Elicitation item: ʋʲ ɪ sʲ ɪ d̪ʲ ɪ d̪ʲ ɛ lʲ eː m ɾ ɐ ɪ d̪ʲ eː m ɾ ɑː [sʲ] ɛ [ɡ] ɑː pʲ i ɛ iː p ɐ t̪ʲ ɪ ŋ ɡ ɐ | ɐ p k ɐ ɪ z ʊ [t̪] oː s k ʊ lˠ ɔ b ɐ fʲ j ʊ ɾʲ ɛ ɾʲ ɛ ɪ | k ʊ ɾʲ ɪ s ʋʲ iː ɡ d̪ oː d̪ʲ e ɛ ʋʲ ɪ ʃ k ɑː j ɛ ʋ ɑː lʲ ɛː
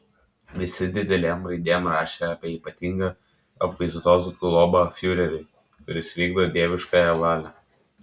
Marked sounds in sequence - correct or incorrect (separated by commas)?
incorrect, incorrect, correct